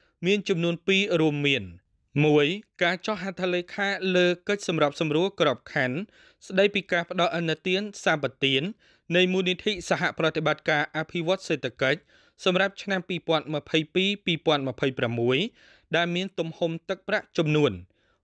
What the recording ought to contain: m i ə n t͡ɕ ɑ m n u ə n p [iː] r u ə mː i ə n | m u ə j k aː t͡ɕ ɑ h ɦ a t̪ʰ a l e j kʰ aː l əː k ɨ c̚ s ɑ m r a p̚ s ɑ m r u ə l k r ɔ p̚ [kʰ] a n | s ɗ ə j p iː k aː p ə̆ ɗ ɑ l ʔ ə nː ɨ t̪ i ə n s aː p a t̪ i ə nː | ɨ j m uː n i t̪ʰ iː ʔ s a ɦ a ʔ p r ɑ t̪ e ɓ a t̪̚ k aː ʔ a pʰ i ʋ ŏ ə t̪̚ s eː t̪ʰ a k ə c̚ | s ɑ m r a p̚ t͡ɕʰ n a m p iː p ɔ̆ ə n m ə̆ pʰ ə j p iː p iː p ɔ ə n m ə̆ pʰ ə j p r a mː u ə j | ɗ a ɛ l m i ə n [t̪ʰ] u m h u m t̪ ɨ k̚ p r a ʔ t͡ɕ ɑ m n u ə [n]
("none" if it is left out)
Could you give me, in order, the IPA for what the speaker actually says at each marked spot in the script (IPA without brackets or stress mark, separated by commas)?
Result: iː, kʰ, t̪, n